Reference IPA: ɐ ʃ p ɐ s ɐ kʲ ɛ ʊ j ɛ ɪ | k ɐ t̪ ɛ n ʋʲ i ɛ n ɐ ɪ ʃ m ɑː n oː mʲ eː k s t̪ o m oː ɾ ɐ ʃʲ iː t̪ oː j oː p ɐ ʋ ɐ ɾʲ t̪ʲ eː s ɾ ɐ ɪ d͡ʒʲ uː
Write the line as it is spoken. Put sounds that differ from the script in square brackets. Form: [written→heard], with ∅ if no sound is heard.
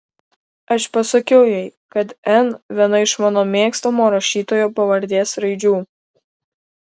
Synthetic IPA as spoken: ɐ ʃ p ɐ s ɐ kʲ ɛ ʊ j ɛ ɪ | k ɐ t̪ ɛ n ʋʲ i ɛ n ɐ ɪ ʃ m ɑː n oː mʲ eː k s t̪ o m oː ɾ ɐ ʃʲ iː t̪ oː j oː p ɐ ʋ ɐ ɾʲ [t̪ʲ→d̪ʲ] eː s ɾ ɐ ɪ d͡ʒʲ uː